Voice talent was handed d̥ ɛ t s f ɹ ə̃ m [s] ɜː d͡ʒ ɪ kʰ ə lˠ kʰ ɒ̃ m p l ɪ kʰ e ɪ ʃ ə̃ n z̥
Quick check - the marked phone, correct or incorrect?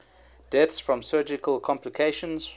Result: correct